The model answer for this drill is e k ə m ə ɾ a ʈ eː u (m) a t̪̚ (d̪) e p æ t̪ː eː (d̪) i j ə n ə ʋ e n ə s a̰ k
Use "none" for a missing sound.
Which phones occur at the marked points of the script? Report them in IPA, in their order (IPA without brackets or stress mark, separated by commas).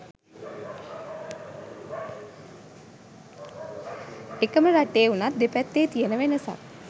n, d̪, t̪